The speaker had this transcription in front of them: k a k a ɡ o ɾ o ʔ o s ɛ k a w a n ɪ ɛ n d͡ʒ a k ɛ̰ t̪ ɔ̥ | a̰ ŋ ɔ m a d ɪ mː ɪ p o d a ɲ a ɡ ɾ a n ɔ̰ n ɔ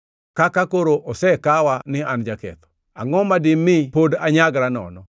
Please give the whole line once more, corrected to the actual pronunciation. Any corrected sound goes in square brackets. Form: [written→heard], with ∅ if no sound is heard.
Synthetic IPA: k a k a [ɡ→k] o ɾ o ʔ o s ɛ k a w a n ɪ [ɛ→a] n d͡ʒ a k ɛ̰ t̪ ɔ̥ | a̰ ŋ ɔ m a d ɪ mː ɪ p o d a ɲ a ɡ ɾ a n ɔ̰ n ɔ